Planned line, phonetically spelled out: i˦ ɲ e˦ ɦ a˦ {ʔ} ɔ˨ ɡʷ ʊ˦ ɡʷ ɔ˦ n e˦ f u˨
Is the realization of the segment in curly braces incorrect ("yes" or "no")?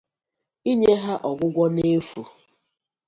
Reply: no